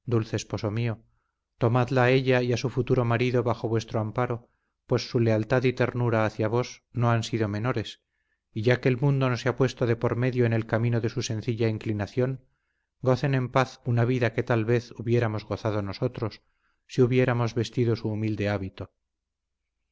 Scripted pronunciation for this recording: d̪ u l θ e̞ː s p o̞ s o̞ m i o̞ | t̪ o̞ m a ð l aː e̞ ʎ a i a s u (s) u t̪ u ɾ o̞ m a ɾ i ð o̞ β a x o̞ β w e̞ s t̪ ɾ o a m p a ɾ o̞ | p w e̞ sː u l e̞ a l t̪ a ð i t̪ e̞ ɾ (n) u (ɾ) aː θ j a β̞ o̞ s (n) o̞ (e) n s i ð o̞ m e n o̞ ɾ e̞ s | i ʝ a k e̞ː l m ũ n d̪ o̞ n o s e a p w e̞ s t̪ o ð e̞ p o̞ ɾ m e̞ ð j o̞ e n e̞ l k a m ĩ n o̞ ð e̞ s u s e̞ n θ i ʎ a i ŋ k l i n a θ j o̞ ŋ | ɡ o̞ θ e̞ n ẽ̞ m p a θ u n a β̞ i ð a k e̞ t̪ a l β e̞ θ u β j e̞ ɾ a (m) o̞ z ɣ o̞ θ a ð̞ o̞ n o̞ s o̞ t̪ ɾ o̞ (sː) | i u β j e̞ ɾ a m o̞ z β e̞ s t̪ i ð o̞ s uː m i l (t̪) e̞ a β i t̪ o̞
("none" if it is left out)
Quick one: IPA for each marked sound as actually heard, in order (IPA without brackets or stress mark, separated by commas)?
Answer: f, n, ɾ, n, a, m, sː, d̪